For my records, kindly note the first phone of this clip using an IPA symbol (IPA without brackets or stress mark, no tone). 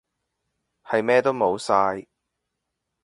h